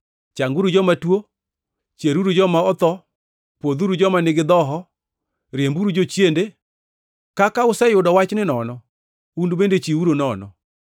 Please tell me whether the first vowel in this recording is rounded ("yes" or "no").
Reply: no